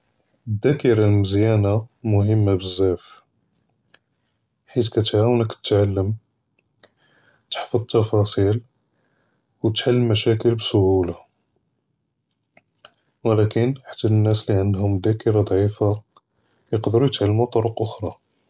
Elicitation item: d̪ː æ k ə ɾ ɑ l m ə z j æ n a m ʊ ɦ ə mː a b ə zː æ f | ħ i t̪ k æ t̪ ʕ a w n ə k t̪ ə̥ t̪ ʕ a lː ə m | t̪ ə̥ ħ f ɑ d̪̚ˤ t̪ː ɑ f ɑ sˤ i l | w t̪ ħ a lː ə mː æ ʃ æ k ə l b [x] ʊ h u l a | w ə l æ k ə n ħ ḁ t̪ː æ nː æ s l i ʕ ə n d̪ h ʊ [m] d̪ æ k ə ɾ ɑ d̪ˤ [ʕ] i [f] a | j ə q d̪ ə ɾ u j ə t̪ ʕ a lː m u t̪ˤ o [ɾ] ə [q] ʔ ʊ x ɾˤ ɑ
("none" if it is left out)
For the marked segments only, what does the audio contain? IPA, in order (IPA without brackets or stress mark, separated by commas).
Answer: s, m, ʕ, f, ɾ, q